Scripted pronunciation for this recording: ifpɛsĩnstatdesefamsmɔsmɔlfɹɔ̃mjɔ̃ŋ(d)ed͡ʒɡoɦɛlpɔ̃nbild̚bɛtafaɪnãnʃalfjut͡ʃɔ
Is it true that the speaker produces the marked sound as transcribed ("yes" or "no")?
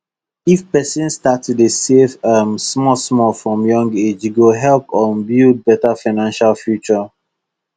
no